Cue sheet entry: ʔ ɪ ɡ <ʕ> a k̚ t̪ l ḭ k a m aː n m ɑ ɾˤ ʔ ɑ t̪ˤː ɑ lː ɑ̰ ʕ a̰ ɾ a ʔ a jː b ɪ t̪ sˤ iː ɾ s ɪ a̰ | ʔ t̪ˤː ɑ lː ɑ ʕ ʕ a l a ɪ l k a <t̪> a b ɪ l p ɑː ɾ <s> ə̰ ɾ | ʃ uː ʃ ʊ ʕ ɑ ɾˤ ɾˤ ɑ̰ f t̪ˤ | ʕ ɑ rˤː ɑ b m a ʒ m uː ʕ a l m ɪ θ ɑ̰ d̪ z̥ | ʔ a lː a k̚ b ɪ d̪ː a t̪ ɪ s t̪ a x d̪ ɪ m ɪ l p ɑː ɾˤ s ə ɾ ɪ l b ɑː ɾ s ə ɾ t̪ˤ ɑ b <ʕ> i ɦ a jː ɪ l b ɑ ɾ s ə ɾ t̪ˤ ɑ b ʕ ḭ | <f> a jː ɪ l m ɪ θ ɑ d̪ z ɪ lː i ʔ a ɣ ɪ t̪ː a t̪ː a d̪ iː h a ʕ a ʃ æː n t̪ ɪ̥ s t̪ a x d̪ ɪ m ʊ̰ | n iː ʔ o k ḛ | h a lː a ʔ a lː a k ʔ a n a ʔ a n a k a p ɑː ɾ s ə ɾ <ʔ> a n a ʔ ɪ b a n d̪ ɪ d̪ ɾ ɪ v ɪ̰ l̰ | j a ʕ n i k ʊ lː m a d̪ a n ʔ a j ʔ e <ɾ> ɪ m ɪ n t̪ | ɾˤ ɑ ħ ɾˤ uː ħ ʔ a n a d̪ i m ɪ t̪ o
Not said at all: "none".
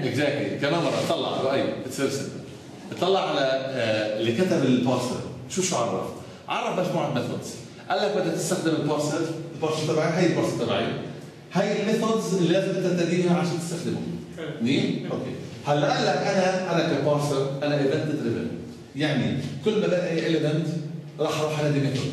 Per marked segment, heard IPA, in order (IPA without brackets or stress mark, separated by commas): z, t̪, s, ʕ, h, ʔ, l